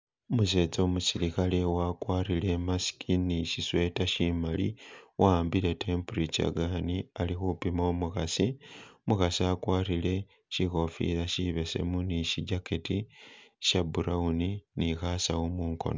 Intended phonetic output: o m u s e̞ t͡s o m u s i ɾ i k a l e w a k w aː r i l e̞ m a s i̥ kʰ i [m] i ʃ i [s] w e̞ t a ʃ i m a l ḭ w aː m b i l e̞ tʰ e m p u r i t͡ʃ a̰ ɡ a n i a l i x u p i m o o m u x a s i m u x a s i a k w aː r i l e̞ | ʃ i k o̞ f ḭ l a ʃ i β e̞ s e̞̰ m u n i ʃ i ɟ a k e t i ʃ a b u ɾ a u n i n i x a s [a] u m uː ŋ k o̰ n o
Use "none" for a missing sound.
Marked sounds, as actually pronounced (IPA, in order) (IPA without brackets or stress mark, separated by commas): n, s, a